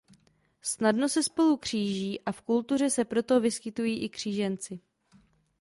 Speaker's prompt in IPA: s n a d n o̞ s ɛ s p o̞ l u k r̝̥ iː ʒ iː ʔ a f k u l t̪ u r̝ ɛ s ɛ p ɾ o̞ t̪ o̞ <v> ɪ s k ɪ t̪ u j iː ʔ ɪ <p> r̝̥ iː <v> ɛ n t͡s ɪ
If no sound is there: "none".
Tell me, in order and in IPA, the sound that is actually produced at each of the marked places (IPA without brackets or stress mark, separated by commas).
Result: v, k, ʒ